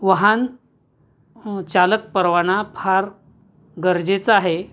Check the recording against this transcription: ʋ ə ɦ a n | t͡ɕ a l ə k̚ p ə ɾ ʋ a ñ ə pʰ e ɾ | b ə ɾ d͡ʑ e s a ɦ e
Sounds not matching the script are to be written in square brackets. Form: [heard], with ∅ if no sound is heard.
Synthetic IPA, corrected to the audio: ʋ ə ɦ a n | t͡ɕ a l ə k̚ p ə ɾ ʋ a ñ [a] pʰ [a] ɾ | [ɡ] ə ɾ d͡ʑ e [t͡s] a ɦ e